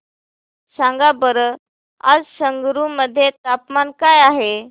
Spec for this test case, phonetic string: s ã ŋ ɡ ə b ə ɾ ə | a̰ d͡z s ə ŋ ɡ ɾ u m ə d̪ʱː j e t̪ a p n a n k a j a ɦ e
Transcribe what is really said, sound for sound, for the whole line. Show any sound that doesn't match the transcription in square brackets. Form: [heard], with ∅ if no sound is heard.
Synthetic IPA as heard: s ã ŋ ɡ [a] b ə ɾ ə | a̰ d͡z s ə ŋ ɡ ɾ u m ə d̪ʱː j e t̪ a p [m] a n k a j a ɦ e

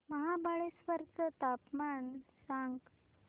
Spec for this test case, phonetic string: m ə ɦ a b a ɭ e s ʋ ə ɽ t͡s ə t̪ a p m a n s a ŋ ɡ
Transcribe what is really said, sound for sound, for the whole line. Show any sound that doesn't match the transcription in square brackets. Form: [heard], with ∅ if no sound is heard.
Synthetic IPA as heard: m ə ɦ a b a ɭ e s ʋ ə [ɾ] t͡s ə t̪ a p m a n s a ŋ ɡ

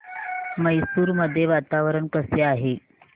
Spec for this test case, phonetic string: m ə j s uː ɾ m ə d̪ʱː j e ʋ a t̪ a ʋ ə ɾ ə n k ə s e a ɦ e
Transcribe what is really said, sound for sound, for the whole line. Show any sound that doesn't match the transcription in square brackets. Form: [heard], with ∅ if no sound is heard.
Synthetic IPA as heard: m ə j s uː ɾ m ə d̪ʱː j e ʋ a t̪ a ʋ ə ɾ ə [ɳ] k ə s e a ɦ e

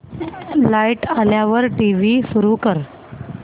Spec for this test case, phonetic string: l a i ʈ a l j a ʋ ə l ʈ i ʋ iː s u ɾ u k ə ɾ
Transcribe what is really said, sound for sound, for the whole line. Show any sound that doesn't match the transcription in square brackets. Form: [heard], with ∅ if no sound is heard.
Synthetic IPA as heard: l a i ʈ a l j a ʋ ə [ɾ] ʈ i ʋ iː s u ɾ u k ə ɾ

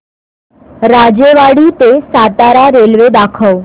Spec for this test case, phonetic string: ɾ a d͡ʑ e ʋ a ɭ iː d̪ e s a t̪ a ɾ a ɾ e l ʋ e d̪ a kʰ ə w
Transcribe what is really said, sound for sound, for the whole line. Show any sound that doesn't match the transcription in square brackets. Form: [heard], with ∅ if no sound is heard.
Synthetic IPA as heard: ɾ a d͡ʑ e ʋ a [ɽ] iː [t̪] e s a t̪ a ɾ a ɾ e l ʋ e d̪ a kʰ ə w

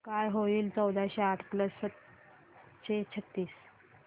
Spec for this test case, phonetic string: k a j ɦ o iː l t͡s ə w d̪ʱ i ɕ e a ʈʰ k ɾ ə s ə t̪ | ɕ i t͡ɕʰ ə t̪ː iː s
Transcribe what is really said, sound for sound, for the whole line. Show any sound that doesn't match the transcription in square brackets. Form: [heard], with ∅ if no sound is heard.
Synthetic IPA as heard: k a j ɦ o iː l t͡s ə w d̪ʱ [a] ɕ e a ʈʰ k [l] ə s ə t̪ | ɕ [e] t͡ɕʰ ə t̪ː iː s

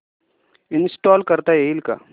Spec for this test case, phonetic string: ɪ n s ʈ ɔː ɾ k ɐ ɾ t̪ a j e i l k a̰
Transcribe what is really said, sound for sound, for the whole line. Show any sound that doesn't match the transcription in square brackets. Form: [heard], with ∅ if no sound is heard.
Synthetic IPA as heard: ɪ n s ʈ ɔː [l] k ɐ ɾ t̪ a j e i l k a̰

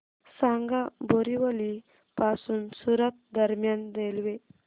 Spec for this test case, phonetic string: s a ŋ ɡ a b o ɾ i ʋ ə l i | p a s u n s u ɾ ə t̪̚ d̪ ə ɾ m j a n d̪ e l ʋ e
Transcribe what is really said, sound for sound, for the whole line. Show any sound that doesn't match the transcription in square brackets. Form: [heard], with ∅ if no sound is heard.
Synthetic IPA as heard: s a ŋ ɡ a b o ɾ i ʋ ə l i | p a s u n s u ɾ ə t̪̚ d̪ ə ɾ m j a n d̪ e l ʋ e

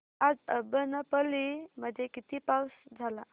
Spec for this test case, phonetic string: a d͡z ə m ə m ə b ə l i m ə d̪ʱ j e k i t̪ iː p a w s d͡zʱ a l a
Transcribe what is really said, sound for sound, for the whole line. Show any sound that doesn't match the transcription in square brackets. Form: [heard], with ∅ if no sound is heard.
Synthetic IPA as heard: a d͡z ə [b] ə [n] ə [p] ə l i m ə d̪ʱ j e k i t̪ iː p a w s d͡zʱ a l a

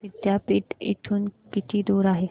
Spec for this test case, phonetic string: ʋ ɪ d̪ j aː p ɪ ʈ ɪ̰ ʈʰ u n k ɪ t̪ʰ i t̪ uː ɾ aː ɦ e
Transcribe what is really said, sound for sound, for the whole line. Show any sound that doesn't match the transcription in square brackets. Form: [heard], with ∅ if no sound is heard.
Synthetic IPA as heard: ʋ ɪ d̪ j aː p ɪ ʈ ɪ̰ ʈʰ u n k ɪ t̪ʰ i [d̪] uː ɾ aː ɦ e

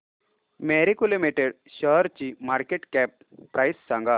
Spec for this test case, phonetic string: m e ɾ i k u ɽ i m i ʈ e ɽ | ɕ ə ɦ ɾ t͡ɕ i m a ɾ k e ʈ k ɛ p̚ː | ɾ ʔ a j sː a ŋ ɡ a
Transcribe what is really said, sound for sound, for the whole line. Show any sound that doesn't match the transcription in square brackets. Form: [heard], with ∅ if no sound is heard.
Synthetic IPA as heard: m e ɾ i k u [l] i m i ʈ e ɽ | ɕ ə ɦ ɾ t͡ɕ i m a ɾ k e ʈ k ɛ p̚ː | ɾ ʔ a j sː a ŋ ɡ a

